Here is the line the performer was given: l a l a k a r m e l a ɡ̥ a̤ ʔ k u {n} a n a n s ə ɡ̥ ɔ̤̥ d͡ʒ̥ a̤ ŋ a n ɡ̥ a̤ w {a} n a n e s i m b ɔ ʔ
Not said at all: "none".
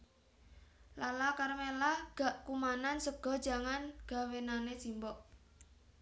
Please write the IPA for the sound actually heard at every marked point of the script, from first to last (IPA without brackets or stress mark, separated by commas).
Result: m, e